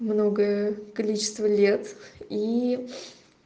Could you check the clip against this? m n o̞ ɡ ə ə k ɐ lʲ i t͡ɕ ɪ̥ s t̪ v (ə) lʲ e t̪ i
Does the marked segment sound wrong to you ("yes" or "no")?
no